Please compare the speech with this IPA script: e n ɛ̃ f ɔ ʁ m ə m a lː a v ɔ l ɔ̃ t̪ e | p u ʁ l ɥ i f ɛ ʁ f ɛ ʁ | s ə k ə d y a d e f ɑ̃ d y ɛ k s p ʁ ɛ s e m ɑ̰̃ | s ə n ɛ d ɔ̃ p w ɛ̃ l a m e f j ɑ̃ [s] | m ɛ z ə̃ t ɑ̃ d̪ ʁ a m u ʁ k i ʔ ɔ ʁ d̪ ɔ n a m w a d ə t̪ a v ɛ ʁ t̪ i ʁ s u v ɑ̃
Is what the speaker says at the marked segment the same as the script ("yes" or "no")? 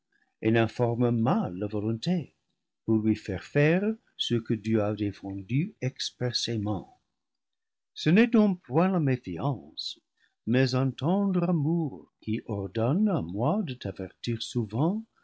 yes